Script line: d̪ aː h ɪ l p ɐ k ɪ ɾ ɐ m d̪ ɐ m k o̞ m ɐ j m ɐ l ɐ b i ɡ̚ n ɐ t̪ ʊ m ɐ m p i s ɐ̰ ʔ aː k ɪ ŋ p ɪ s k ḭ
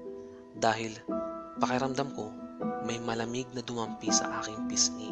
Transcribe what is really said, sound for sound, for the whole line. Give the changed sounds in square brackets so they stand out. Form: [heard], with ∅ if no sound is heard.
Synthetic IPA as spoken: d̪ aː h ɪ l p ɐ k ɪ ɾ ɐ m d̪ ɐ m k o̞ m ɐ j m ɐ l ɐ [m] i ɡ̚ n ɐ [d̪] ʊ m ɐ m p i s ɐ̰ ʔ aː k ɪ ŋ p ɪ s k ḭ